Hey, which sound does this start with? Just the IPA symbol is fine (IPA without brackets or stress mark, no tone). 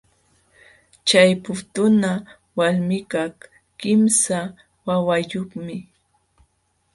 t͡ʃ